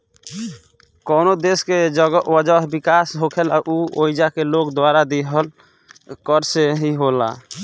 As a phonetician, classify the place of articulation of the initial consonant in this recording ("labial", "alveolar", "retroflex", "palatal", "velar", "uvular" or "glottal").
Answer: velar